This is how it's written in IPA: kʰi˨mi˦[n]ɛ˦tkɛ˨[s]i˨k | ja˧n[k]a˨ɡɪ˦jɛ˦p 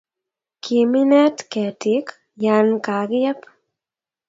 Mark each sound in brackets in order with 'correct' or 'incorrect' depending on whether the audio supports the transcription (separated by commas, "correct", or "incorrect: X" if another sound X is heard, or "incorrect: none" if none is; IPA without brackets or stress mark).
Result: correct, incorrect: t, correct